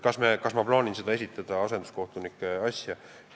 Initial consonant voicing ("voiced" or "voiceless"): voiceless